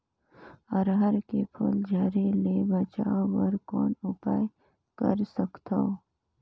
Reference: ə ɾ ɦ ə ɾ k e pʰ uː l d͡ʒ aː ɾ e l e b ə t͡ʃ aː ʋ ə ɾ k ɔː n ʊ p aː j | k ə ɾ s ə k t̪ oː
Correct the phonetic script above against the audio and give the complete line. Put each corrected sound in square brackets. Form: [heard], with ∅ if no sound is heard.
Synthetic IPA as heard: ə ɾ ɦ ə ɾ k e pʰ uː l d͡ʒ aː ɾ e l e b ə t͡ʃ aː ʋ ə ɾ k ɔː n ʊ p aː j | k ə ɾ s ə k t̪ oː